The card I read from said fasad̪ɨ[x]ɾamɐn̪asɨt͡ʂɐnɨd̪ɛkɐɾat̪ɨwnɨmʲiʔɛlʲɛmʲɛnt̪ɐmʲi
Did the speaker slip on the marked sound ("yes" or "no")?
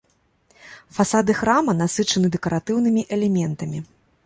no